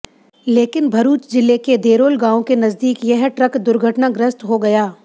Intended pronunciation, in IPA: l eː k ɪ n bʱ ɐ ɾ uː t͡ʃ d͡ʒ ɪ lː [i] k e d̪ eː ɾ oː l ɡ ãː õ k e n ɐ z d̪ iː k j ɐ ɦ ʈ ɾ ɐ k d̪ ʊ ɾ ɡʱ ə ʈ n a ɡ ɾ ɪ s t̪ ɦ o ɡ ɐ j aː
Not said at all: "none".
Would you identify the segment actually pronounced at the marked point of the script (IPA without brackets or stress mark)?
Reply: e